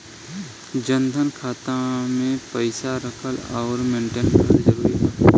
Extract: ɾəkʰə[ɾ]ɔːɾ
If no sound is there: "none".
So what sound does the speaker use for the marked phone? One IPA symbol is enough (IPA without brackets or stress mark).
l